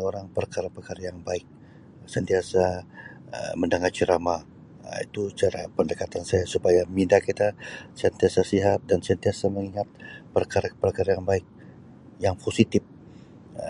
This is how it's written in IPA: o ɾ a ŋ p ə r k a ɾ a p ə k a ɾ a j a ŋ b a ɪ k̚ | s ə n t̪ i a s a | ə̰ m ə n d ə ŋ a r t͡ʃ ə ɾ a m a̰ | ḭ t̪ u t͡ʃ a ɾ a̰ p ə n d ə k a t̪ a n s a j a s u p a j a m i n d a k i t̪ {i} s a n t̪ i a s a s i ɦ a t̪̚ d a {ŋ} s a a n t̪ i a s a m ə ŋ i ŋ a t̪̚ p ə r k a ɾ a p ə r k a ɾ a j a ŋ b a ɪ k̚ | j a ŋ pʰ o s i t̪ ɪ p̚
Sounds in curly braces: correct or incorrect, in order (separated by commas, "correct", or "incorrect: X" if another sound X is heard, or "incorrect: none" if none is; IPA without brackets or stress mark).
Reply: incorrect: a, incorrect: n